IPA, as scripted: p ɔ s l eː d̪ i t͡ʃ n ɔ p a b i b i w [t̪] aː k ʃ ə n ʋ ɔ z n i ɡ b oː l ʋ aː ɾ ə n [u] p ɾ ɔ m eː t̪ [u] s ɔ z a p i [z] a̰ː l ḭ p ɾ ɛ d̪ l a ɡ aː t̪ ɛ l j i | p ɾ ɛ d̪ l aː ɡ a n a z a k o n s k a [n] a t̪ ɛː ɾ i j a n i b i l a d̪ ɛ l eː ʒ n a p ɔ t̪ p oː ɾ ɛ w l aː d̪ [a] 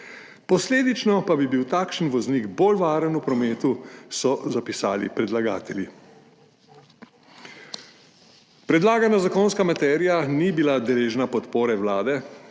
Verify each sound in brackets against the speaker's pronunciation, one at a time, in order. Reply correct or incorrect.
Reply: correct, correct, correct, incorrect: s, incorrect: m, incorrect: ɛ

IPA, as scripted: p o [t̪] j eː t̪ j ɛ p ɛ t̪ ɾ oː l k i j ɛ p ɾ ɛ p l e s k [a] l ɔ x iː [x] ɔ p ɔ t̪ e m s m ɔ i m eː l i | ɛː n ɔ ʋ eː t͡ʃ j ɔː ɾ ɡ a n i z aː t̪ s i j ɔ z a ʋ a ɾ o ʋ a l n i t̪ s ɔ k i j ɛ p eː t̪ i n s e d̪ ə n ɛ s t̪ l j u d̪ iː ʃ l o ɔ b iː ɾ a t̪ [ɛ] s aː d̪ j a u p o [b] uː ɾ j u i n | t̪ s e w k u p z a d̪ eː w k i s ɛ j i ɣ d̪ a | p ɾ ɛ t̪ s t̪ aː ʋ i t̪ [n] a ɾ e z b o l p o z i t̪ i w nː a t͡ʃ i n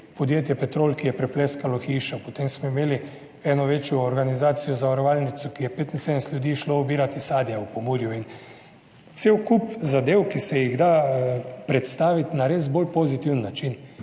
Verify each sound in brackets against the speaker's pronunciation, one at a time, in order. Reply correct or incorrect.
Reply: incorrect: d̪, correct, incorrect: ʃ, incorrect: i, incorrect: m, correct

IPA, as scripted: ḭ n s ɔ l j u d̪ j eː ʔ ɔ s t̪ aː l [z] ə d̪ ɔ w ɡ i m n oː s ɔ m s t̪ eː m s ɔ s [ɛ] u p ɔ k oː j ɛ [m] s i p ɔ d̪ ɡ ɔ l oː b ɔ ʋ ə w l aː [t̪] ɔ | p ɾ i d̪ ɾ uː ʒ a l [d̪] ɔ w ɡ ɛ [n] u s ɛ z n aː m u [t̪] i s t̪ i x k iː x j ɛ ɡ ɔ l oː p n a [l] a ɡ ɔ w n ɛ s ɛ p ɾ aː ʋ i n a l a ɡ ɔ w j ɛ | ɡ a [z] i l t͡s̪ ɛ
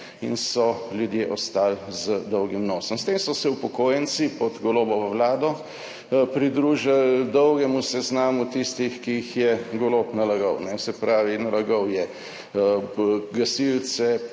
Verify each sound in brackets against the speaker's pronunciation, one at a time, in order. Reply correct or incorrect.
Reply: correct, correct, incorrect: n, incorrect: d̪, correct, incorrect: m, correct, correct, incorrect: s

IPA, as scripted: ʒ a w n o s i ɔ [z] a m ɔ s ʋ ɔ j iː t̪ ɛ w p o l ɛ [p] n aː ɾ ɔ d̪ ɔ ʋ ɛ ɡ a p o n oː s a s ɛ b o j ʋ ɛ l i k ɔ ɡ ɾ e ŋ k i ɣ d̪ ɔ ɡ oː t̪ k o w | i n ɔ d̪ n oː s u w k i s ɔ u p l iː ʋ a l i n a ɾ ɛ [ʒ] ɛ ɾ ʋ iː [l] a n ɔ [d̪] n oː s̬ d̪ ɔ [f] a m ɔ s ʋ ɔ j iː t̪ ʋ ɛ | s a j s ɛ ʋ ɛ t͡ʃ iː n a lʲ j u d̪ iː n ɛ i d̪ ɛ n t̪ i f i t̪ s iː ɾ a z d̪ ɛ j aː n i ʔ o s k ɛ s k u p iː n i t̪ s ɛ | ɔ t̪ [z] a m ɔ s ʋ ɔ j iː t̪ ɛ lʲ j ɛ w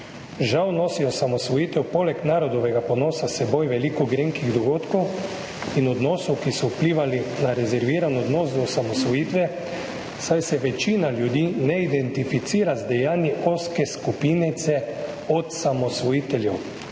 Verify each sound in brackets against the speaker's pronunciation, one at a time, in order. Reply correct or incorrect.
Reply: incorrect: s, incorrect: k, incorrect: z, incorrect: ɾ, correct, incorrect: s, incorrect: s

